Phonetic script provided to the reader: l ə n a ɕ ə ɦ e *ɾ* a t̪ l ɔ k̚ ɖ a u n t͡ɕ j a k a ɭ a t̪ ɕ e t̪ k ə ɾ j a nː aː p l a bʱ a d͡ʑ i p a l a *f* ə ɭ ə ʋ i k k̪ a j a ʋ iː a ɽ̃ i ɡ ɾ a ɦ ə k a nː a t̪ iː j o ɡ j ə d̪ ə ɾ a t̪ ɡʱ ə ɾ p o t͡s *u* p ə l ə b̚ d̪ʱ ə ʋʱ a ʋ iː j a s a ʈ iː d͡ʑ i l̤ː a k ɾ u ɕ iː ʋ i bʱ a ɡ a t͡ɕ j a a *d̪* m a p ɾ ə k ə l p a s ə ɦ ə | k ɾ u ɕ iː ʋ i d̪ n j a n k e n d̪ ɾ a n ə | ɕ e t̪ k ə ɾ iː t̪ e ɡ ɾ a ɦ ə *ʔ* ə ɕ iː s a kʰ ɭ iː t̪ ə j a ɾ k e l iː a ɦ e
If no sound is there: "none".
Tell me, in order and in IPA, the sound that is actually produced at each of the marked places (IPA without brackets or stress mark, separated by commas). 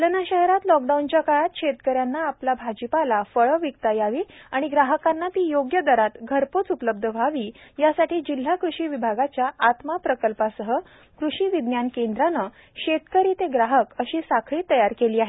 ɾ, f, u, t̪, k